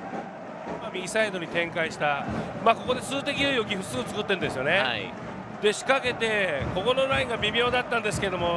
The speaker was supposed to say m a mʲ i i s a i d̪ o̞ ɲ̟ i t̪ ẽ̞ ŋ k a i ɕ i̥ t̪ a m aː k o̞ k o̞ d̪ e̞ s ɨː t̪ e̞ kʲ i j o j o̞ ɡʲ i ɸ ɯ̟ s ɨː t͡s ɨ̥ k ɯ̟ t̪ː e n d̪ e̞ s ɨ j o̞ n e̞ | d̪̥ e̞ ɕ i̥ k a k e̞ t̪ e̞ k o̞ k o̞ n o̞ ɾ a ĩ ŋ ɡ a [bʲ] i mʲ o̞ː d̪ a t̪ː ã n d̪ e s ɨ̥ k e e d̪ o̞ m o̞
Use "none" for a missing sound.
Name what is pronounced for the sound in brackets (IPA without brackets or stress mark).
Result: bʲ